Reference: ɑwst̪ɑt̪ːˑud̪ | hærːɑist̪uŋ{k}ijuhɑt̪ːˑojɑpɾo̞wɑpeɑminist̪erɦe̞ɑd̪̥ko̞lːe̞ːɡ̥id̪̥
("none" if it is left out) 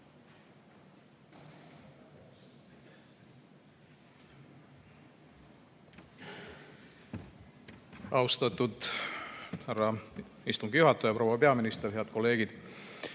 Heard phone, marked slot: ɡ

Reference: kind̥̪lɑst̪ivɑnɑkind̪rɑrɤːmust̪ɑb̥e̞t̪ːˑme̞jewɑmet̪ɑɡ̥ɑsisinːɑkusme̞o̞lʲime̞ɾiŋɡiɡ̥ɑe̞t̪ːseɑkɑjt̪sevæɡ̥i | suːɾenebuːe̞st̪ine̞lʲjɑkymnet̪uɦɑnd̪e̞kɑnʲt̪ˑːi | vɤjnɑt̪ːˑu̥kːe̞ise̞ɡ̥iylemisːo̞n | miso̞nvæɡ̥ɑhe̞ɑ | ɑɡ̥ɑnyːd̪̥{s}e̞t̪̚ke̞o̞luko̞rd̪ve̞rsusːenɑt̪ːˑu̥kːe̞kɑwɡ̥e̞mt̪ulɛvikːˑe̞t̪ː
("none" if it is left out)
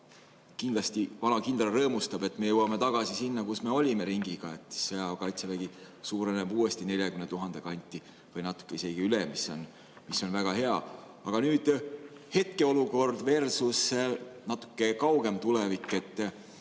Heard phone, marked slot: h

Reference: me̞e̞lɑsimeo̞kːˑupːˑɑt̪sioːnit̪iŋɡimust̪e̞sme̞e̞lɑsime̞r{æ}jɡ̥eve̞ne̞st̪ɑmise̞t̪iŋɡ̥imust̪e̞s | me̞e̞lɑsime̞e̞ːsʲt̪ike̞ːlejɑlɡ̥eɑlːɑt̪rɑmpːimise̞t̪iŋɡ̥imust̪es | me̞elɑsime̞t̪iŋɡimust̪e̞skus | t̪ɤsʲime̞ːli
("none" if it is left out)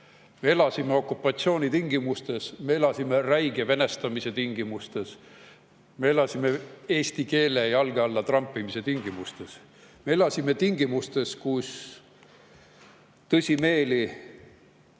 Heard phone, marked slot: æ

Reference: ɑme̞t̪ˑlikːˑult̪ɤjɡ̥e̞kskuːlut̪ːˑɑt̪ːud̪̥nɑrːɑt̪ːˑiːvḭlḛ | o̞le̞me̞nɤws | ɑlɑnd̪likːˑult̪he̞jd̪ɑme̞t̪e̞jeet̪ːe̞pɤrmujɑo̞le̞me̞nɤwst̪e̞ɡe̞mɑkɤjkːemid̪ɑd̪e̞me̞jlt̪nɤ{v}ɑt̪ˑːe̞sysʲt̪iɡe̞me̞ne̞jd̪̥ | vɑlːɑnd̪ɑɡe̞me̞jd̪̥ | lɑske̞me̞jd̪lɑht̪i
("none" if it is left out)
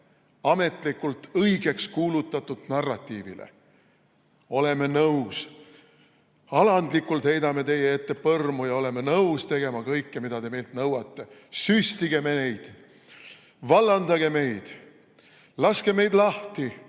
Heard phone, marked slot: w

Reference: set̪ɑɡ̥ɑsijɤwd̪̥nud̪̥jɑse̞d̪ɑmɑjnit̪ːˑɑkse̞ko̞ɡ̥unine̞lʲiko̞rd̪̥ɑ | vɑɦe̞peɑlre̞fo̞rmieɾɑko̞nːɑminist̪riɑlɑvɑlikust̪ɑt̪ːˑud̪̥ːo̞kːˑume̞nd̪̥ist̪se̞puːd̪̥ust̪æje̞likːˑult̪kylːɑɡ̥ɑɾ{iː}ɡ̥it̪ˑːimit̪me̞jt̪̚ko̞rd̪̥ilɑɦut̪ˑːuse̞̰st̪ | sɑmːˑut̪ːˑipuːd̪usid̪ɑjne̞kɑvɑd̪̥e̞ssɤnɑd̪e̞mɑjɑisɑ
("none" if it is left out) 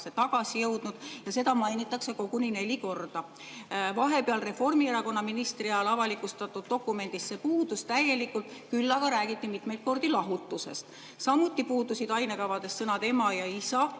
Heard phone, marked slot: æː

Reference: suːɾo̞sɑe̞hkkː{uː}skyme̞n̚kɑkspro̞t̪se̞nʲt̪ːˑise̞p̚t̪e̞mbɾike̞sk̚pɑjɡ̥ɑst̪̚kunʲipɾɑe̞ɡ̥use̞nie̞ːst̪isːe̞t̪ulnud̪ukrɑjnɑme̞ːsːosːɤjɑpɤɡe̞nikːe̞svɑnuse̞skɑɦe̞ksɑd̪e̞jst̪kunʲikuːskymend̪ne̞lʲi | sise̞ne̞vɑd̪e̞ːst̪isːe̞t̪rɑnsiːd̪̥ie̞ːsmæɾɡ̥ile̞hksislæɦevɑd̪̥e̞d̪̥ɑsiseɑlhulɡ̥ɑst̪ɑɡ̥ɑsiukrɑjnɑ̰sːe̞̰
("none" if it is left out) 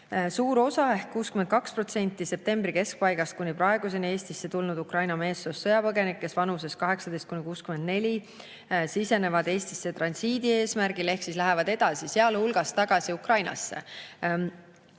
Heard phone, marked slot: uː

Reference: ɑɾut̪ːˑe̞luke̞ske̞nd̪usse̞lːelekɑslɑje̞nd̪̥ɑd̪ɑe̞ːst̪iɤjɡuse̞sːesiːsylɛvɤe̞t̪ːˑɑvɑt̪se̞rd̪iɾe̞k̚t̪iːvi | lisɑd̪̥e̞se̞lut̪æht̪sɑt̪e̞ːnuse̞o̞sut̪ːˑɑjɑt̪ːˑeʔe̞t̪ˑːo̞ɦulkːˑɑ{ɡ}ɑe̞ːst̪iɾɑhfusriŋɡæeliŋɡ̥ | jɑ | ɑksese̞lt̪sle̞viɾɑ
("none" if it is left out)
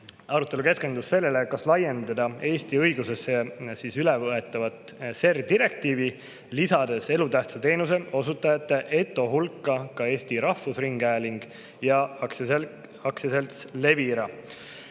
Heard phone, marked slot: k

